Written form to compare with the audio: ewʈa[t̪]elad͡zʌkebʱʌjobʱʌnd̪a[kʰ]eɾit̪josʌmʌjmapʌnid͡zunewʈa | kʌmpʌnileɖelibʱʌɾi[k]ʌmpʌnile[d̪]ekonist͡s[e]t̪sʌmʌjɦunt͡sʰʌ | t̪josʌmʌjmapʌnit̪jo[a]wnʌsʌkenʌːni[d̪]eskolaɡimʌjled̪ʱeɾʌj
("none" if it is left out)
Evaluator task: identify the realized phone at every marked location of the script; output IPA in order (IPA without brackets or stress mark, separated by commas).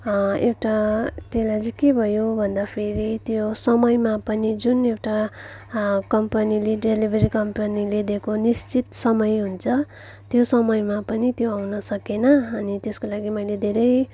t̪, pʰ, k, d̪, i, a, t̪